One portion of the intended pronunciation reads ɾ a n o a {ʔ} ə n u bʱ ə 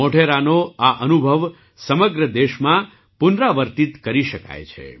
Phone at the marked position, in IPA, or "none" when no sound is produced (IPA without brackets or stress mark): ʔ